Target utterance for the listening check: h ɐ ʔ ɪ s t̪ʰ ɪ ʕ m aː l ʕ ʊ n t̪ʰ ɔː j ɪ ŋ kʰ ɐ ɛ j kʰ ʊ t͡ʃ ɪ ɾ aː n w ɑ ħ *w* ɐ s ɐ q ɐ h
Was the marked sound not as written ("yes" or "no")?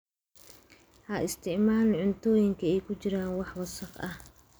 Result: no